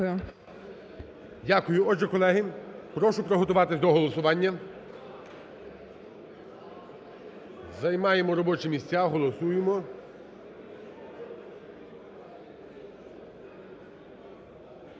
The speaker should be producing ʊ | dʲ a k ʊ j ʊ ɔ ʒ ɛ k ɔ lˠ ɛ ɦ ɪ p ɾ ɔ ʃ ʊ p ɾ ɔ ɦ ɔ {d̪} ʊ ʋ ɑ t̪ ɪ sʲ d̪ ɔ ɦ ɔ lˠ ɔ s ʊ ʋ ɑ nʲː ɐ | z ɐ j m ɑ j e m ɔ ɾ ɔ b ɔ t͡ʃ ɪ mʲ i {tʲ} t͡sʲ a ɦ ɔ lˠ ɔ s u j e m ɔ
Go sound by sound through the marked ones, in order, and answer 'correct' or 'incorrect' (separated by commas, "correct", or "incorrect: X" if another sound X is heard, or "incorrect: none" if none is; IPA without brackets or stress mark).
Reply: incorrect: t̪, incorrect: sʲ